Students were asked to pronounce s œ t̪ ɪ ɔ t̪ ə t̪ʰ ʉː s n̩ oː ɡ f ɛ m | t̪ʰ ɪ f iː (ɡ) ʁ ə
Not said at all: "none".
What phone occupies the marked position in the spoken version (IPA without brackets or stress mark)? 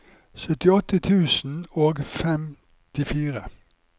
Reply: none